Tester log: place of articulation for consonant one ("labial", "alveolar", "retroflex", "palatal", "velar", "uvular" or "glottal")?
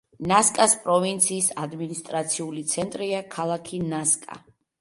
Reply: alveolar